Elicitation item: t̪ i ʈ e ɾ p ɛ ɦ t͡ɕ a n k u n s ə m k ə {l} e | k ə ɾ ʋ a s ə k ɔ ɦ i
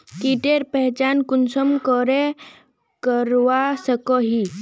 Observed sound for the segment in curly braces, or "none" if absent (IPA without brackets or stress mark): ɾ